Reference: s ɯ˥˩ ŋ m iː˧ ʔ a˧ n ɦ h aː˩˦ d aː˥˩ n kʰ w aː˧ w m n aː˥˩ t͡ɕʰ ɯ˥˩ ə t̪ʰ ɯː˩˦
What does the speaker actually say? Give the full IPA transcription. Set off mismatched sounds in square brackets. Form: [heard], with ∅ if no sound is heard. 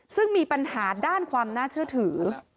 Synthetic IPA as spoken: s ɯ˥˩ ŋ m iː˧ [p] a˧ n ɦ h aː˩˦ d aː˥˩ n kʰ w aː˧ [∅] m n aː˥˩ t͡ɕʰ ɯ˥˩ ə t̪ʰ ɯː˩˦

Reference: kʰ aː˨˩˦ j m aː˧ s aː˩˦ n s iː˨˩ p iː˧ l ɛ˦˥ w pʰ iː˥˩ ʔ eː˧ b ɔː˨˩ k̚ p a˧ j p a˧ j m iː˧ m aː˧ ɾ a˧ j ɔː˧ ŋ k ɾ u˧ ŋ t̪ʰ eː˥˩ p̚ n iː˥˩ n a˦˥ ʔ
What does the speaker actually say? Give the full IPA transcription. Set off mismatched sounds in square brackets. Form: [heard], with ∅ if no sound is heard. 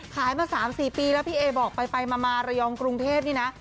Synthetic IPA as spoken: kʰ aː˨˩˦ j m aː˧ s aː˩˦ [m] s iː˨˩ p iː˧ l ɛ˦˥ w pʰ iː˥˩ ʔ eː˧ b ɔː˨˩ k̚ p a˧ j p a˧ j m [aː˧] m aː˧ ɾ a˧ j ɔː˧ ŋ k ɾ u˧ ŋ t̪ʰ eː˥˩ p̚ n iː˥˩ n a˦˥ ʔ

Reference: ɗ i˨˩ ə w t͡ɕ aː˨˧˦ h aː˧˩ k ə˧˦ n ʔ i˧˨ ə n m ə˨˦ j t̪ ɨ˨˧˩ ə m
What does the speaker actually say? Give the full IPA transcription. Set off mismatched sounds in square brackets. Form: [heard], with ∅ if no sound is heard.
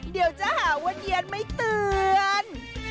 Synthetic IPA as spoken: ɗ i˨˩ ə w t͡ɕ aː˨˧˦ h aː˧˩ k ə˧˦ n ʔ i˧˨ ə n m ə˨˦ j t̪ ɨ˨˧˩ ə [n]

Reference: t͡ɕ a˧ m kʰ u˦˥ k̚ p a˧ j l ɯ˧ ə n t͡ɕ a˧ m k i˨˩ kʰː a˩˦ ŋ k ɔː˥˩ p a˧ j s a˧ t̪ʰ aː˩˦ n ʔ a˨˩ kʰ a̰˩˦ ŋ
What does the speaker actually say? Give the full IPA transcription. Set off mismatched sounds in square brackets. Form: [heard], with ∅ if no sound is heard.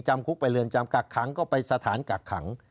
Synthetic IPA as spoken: t͡ɕ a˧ m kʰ u˦˥ k̚ p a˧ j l ɯ˧ ə n t͡ɕ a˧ m k [a˨˩] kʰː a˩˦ ŋ k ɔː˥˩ p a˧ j s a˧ t̪ʰ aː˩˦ n [k] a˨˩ kʰ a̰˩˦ ŋ

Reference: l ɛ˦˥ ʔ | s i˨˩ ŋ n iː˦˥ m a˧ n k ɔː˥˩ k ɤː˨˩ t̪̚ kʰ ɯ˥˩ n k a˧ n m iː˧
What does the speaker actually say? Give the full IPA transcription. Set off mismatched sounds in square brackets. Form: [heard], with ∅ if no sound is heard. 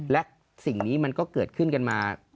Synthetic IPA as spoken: l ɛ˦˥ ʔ | s i˨˩ ŋ n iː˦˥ m a˧ n k ɔː˥˩ k ɤː˨˩ t̪̚ kʰ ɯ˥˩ n k a˧ n m [aː˧]

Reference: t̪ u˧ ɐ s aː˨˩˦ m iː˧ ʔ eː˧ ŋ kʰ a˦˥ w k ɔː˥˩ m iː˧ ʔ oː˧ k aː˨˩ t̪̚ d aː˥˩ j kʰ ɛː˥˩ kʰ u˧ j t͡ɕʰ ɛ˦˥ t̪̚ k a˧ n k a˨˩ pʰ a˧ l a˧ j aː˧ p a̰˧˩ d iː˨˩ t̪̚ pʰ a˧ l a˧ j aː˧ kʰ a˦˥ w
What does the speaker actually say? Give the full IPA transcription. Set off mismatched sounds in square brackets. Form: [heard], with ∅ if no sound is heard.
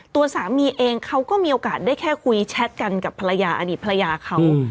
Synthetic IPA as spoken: t̪ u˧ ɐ s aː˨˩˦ m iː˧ ʔ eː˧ ŋ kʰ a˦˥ w k ɔː˥˩ m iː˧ ʔ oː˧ k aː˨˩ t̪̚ d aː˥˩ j kʰ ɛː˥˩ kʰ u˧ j t͡ɕʰ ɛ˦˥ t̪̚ k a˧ n k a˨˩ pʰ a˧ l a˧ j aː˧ [ʔ] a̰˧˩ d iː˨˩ t̪̚ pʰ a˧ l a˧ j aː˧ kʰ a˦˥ w

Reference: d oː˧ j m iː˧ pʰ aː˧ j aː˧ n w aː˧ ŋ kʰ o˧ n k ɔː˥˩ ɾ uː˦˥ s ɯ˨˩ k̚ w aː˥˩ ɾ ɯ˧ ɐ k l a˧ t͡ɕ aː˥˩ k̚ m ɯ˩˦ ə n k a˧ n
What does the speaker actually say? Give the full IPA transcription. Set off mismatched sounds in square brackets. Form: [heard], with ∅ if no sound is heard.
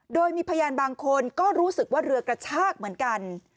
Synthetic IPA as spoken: d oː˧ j m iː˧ pʰ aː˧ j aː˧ n [b] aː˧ ŋ kʰ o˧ n k ɔː˥˩ ɾ uː˦˥ s ɯ˨˩ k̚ w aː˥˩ ɾ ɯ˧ ɐ k [ɾ] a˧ [t͡ɕʰ] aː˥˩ k̚ m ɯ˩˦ ə n k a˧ n

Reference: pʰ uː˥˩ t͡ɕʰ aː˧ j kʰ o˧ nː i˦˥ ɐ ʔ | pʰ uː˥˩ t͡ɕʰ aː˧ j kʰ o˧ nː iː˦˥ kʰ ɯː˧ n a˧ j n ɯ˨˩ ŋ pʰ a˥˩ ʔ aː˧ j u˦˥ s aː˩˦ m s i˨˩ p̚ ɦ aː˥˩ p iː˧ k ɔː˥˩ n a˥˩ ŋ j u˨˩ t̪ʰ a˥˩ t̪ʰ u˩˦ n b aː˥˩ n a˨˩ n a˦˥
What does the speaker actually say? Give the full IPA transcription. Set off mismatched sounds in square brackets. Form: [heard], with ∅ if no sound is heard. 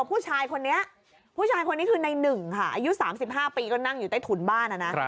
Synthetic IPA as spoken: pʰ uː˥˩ t͡ɕʰ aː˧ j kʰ o˧ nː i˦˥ ɐ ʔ | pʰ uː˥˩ t͡ɕʰ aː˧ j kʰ o˧ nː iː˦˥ kʰ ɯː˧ n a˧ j n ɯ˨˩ ŋ [kʰ] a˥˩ ʔ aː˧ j u˦˥ s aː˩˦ m s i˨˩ p̚ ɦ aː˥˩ p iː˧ k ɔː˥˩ n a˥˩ ŋ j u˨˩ [t̪] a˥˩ t̪ʰ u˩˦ n b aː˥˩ n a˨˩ n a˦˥

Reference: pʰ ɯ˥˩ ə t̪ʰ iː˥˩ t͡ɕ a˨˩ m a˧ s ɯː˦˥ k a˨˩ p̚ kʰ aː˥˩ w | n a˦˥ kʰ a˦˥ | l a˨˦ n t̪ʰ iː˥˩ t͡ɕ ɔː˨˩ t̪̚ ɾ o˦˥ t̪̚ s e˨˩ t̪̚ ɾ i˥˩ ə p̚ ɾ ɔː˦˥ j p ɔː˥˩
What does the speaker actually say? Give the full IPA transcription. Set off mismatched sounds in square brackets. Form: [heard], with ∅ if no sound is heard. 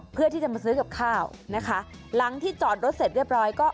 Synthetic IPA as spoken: pʰ ɯ˥˩ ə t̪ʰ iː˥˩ t͡ɕ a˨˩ m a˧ s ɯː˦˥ k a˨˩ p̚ kʰ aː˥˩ w | n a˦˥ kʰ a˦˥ | l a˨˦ [ŋ] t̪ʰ iː˥˩ t͡ɕ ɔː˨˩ t̪̚ ɾ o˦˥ t̪̚ s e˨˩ t̪̚ ɾ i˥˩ ə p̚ ɾ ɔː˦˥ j [k] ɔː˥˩

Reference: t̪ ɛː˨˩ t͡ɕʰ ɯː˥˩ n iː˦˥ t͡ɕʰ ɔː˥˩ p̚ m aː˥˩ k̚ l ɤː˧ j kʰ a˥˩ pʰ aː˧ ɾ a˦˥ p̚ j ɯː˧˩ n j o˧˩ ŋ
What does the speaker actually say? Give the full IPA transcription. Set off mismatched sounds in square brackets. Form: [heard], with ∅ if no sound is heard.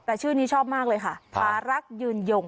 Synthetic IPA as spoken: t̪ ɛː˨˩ t͡ɕʰ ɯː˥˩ n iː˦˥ t͡ɕʰ ɔː˥˩ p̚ m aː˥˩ k̚ l ɤː˧ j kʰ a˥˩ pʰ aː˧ ɾ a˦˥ [k̚] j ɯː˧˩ n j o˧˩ ŋ

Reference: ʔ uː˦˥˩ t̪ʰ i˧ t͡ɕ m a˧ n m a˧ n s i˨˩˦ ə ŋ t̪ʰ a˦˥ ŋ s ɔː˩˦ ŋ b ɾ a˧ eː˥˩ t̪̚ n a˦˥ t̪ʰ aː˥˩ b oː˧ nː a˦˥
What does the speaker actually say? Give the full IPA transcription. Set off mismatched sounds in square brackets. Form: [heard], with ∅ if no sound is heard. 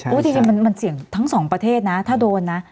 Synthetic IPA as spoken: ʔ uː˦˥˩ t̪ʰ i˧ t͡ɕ m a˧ n m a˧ n s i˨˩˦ ə ŋ t̪ʰ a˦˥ ŋ s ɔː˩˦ ŋ [p] ɾ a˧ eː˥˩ t̪̚ n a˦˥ t̪ʰ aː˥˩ [d] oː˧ nː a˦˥

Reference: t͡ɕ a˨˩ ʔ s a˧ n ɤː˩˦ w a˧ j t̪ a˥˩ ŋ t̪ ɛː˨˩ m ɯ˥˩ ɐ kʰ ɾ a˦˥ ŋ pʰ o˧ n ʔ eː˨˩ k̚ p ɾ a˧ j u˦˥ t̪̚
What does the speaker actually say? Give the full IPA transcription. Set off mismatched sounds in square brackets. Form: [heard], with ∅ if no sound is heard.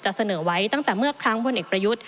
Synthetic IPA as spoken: t͡ɕ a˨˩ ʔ s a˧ n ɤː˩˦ w [a˦˥] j t̪ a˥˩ ŋ t̪ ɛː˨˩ m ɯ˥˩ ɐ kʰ ɾ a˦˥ ŋ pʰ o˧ n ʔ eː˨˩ k̚ p ɾ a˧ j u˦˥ t̪̚

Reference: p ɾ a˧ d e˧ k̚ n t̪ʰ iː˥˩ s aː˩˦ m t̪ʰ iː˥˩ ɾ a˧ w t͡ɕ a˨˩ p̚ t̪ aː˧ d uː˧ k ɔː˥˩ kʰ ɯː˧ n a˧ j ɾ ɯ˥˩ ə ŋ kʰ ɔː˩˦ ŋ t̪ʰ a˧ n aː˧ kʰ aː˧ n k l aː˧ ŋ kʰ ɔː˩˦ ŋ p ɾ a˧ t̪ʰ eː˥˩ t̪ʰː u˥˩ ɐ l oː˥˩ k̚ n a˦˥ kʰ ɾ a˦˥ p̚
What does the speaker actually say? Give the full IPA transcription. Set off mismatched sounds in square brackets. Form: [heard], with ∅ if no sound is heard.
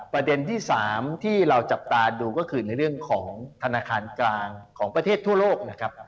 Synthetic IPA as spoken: p ɾ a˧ d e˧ [∅] n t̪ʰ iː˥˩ s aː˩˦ m t̪ʰ iː˥˩ ɾ a˧ w t͡ɕ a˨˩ p̚ t̪ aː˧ d uː˧ k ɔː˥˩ kʰ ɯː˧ n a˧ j ɾ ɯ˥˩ ə ŋ kʰ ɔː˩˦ ŋ t̪ʰ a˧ n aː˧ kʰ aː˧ n k l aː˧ ŋ kʰ ɔː˩˦ ŋ p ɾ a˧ t̪ʰ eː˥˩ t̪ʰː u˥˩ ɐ l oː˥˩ k̚ n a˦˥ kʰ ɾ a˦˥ p̚

